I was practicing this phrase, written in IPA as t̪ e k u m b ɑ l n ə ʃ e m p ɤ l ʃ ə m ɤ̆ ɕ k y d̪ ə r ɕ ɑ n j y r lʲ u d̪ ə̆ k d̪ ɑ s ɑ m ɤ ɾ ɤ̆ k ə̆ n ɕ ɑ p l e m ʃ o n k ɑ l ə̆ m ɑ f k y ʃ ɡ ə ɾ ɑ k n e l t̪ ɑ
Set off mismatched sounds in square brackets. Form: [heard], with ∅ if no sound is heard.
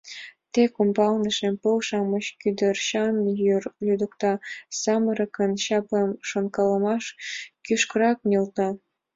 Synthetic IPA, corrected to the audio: t̪ e k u m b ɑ l n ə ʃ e m p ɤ l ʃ [ɑ] m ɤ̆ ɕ k y d̪ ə r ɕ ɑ n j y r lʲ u d̪ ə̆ k [t̪] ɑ s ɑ m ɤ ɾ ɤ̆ k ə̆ n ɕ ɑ p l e m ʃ o n k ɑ l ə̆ m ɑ [ʃ] k y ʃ [k] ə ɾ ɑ k n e l t̪ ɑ